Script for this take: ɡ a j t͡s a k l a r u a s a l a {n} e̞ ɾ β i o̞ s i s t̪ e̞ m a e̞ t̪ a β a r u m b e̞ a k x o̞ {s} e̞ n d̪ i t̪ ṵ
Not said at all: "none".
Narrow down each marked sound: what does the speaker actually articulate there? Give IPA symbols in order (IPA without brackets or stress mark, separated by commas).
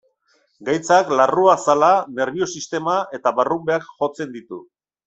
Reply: n, t͡s